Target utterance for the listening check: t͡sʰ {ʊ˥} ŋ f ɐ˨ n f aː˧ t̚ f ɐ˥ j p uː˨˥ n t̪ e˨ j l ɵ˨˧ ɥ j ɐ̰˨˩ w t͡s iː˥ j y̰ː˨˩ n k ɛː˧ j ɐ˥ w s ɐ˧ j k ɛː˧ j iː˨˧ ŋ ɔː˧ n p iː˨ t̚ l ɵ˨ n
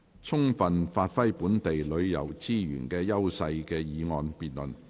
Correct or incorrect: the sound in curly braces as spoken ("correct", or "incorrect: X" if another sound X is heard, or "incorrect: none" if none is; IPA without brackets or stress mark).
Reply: correct